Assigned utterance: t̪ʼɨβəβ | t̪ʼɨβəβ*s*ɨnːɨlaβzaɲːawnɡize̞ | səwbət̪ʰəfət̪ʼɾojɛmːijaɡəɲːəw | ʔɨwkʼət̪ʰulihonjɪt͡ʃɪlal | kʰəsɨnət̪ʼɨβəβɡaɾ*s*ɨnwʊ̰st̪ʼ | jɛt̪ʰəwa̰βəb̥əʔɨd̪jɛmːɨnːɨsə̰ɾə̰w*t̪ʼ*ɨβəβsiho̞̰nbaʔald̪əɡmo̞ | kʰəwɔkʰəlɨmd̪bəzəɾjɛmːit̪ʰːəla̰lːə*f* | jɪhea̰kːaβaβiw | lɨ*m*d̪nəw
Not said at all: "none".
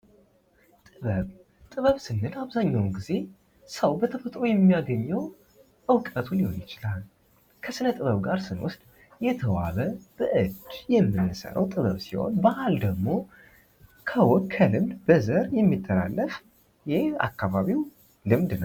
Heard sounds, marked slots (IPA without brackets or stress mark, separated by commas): s, s, t̪ʼ, f, m